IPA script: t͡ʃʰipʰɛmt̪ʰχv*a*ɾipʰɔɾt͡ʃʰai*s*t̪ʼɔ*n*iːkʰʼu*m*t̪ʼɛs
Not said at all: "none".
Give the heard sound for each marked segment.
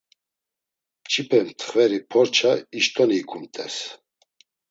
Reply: ɛ, ʃ, n, m

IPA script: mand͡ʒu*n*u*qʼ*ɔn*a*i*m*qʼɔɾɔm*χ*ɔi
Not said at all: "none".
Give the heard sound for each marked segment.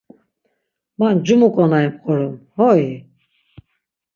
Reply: m, kʼ, a, m, h

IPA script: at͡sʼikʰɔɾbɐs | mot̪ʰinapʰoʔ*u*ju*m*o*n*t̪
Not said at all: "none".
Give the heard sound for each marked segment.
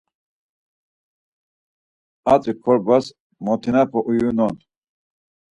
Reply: u, n, n

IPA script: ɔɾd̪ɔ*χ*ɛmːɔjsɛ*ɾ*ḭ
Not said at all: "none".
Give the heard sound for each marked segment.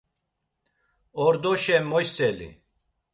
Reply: ʃ, l

